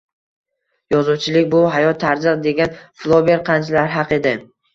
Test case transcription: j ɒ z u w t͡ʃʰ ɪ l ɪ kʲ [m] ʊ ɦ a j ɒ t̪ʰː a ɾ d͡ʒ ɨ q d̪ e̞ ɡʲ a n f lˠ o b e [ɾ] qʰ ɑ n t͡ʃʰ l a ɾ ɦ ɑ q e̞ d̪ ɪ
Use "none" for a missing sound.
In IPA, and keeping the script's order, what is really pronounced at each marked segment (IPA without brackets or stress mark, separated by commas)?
b, ɾ